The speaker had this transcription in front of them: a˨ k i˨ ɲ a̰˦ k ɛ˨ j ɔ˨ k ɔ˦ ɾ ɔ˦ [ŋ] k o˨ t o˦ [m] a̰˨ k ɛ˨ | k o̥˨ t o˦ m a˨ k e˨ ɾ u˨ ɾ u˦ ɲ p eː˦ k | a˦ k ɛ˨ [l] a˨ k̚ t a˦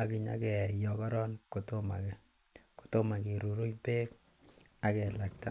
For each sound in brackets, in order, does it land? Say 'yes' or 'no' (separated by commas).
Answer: no, yes, yes